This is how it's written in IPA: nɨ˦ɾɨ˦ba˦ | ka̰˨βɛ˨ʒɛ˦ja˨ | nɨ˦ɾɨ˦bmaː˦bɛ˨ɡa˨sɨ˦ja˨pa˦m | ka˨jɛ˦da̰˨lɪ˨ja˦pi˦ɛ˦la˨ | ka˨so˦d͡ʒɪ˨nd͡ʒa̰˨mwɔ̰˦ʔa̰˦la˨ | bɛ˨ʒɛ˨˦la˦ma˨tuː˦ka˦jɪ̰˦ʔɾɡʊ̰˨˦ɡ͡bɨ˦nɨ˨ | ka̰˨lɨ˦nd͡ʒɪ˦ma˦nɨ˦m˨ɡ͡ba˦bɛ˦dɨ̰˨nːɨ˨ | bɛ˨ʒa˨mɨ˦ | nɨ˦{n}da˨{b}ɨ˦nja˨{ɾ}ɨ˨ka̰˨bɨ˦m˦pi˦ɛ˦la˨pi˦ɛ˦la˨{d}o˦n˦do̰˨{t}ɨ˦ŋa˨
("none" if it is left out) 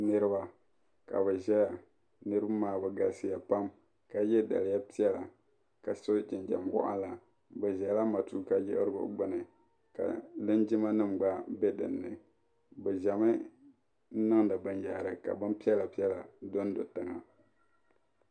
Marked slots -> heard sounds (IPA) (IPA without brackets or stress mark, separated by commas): ŋ, b, ɾ, d, t